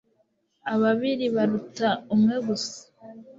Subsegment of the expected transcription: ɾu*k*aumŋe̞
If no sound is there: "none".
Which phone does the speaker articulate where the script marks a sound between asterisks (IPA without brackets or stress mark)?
t